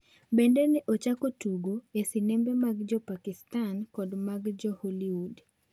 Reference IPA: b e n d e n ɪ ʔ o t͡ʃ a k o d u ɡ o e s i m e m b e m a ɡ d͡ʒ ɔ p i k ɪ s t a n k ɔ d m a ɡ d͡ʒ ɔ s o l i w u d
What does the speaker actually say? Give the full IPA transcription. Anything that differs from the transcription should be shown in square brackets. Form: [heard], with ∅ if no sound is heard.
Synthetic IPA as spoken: b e n d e n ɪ ʔ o t͡ʃ a k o [t] u ɡ o e s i [n] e m b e m a ɡ d͡ʒ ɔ p [a] k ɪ s t a n k ɔ d m a ɡ d͡ʒ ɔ [h] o l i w u d